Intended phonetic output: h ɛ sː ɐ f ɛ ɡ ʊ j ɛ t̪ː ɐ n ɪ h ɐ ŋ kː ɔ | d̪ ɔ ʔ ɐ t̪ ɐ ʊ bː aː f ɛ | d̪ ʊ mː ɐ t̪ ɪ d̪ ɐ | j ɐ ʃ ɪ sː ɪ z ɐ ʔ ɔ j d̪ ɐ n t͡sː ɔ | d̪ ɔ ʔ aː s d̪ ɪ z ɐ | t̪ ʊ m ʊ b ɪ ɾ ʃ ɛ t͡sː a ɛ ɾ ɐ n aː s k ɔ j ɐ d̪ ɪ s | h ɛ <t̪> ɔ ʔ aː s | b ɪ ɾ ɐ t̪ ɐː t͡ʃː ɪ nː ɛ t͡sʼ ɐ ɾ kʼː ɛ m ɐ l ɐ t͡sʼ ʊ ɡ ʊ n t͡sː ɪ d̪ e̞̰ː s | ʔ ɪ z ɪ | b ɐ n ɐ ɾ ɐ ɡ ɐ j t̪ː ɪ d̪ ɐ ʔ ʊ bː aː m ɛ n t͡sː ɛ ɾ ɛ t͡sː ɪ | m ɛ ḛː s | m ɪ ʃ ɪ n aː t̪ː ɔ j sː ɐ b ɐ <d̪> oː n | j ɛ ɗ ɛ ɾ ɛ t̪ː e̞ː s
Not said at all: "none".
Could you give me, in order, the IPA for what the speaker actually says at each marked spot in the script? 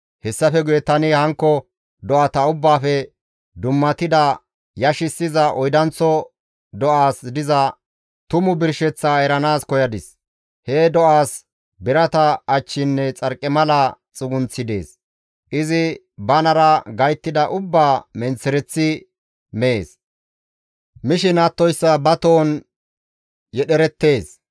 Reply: d̪, t̪

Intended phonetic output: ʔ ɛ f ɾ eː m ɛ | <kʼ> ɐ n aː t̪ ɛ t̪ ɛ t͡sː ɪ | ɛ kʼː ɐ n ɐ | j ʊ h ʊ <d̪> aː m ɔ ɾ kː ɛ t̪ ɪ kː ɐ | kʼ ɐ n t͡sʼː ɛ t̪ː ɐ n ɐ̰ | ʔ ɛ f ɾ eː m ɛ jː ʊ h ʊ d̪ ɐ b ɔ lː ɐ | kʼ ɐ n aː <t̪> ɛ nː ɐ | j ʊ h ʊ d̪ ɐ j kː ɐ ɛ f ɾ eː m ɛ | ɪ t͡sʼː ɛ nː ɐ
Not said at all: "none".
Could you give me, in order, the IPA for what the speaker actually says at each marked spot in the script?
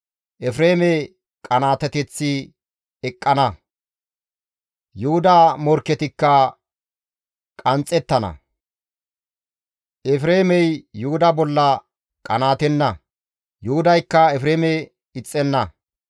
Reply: kʼ, d̪, t̪

